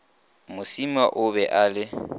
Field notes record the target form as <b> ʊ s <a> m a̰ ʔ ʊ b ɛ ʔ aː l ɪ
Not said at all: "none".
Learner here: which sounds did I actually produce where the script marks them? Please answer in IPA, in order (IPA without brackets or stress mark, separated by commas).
m, i